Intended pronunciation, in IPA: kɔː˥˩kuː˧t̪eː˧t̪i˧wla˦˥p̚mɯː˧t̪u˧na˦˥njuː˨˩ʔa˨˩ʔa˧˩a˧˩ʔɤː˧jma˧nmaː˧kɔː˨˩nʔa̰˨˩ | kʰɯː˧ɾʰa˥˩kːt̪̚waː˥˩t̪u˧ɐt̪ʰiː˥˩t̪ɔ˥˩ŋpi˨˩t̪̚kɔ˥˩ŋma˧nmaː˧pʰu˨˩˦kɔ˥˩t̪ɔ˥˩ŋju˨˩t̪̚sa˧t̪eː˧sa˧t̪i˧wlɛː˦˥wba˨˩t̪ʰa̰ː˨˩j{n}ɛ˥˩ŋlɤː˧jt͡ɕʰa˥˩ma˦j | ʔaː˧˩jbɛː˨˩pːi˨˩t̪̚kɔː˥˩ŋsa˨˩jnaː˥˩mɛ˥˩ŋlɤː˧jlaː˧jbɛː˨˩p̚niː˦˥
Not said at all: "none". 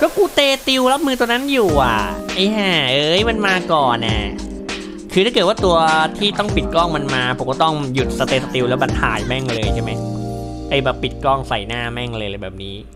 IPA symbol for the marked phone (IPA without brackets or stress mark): m